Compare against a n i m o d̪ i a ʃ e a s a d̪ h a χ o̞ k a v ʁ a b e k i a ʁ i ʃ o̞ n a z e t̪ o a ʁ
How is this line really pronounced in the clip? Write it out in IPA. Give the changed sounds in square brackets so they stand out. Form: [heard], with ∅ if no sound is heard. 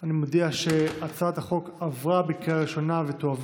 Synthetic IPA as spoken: a n i m o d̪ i a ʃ e a [t͡s] a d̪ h a χ o̞ k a v ʁ a b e k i a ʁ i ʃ o̞ n a [v] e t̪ o a [v]